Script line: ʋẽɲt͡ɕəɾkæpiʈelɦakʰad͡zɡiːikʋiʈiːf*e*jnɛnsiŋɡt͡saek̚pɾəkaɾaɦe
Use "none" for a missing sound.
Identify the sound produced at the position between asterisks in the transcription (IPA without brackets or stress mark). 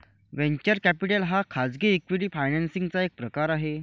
a